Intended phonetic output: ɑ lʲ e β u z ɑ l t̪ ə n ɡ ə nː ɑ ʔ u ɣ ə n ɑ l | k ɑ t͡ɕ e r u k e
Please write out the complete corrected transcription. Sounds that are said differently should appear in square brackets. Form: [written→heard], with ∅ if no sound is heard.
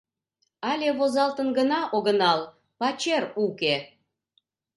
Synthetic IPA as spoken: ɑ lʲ e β [u→o] z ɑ l t̪ ə n ɡ ə [nː→n] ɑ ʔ [u→o] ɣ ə n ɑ l | [k→p] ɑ t͡ɕ e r u k e